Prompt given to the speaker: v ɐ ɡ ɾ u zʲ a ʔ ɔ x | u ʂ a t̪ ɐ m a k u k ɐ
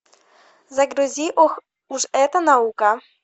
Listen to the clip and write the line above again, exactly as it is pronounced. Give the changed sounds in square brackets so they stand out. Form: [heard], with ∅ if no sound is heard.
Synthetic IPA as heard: [z] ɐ ɡ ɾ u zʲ [i] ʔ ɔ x | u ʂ [ɛ] t̪ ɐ [n] a [∅] u k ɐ